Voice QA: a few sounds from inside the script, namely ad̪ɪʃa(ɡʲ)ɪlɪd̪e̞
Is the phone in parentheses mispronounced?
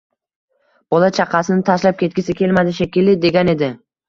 yes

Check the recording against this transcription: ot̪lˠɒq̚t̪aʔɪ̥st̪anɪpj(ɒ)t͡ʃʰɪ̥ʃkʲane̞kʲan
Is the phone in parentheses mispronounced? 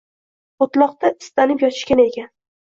no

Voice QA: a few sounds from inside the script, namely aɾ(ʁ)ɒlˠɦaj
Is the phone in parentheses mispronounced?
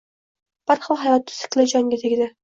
yes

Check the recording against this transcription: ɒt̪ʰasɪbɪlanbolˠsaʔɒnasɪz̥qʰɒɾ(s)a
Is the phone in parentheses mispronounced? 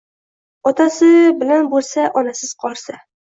no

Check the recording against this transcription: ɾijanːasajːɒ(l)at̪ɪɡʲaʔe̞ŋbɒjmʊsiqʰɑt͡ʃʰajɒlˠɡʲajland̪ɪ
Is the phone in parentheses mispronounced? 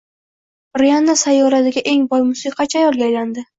yes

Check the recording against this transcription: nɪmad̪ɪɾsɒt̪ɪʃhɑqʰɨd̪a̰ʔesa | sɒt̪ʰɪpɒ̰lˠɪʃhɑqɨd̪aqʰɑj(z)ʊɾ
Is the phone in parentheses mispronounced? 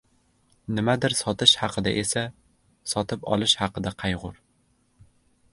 yes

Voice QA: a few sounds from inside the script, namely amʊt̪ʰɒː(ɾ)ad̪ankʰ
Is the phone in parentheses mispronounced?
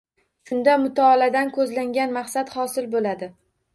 yes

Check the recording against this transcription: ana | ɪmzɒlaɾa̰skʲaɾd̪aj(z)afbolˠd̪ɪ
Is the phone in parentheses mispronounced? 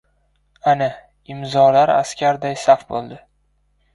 yes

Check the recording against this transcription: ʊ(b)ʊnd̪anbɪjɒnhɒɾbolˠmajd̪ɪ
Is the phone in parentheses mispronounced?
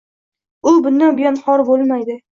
no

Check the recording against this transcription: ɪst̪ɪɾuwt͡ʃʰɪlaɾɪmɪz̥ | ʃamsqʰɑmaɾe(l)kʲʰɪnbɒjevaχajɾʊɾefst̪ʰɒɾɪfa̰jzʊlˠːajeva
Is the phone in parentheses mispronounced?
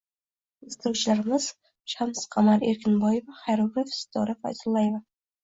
yes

